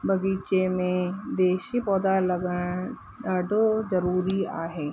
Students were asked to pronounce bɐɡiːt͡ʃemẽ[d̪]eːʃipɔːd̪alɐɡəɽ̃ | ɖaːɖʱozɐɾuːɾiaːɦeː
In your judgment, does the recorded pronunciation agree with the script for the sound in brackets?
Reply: yes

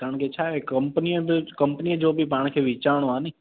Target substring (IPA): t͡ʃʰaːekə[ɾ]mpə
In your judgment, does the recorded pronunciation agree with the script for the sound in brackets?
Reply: no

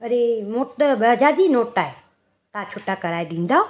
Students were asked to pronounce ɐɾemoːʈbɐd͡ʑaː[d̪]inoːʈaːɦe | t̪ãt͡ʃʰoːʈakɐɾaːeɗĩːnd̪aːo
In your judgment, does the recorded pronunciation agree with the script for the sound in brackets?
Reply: yes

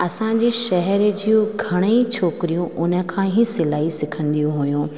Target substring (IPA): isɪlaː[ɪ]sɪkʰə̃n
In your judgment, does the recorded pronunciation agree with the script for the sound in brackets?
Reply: no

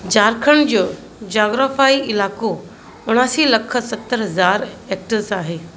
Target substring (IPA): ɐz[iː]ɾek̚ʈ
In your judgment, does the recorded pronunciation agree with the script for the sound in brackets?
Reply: no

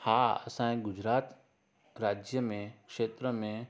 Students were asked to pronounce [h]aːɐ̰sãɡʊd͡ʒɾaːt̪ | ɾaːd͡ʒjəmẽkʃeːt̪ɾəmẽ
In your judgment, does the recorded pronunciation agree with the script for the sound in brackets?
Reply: yes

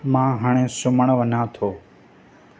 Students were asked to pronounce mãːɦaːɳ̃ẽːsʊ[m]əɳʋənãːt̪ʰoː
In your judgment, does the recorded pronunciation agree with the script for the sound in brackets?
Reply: yes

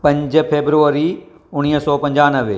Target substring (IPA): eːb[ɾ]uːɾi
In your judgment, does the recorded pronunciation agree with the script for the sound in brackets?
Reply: yes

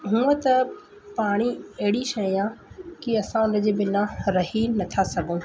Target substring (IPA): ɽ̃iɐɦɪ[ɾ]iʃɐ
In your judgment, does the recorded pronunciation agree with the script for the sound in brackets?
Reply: no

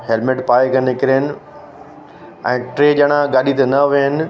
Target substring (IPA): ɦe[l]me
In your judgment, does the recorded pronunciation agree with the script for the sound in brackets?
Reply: yes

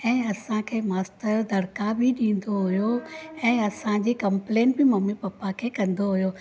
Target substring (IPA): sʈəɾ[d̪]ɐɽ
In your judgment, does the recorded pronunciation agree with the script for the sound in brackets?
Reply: yes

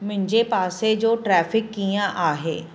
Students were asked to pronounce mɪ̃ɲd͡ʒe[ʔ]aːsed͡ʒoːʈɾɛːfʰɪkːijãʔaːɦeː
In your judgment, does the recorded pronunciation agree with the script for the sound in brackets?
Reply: no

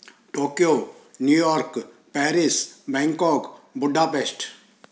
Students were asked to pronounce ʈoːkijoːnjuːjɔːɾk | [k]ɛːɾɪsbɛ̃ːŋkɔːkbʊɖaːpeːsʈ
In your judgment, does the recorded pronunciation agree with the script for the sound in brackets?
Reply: no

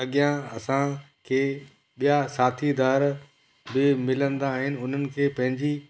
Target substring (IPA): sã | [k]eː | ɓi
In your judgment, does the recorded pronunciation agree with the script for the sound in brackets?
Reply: no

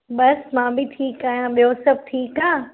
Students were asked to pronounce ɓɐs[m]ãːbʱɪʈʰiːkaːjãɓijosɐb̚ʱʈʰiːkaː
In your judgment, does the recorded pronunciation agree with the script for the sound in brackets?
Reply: yes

